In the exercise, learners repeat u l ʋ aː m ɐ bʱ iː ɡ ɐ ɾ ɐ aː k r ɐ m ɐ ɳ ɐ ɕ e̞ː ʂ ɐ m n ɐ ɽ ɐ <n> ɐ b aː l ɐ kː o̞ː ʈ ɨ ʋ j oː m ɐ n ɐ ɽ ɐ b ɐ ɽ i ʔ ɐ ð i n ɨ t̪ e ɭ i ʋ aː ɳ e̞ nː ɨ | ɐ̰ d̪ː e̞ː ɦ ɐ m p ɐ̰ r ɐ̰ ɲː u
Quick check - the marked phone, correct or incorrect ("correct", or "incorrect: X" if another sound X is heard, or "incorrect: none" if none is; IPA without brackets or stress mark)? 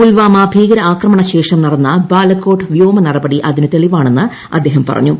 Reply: incorrect: nː